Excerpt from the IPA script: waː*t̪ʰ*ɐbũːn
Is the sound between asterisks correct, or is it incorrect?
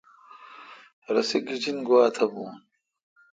correct